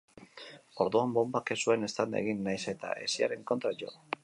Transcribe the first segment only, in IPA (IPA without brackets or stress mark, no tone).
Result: o̞